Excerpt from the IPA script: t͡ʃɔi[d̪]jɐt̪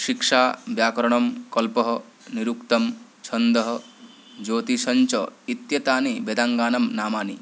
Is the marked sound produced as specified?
no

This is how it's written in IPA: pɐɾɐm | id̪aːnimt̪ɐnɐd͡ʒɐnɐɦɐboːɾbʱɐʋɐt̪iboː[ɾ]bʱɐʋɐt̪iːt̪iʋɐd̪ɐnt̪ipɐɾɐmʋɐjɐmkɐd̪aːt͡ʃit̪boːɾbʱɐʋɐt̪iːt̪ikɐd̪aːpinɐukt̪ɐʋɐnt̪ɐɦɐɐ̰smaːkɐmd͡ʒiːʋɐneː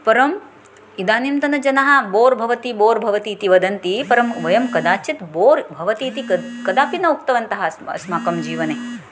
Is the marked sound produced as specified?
yes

